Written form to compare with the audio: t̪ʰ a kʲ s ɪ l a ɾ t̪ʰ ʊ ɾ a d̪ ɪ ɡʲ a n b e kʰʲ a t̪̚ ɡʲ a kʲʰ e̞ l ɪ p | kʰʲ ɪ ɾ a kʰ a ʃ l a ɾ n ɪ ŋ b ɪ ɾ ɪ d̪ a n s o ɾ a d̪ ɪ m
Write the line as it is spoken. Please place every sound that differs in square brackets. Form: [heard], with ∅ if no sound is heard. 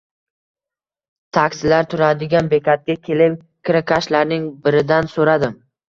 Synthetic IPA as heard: t̪ʰ a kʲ s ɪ l a ɾ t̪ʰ ʊ ɾ a d̪ ɪ ɡʲ a n b e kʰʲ a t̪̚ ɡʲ a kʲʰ e̞ l ɪ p | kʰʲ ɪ ɾ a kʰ a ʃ l a ɾ n ɪ ŋ b ɪ ɾ ɪ d̪ a n s o ɾ a d̪ ɪ m